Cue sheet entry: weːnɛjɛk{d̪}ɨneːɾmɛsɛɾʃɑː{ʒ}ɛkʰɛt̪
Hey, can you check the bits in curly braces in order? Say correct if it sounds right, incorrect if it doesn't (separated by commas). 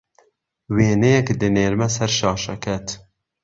correct, incorrect